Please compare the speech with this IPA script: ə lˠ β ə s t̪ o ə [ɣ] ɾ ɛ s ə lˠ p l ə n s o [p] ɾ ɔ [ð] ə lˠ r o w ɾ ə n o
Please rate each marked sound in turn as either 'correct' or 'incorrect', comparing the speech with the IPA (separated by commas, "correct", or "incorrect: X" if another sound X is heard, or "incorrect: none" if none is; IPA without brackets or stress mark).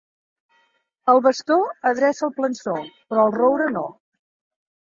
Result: incorrect: ð, correct, incorrect: none